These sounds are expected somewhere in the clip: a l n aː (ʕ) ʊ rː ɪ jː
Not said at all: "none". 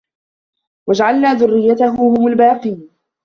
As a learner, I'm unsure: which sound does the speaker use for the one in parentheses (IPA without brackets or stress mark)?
ð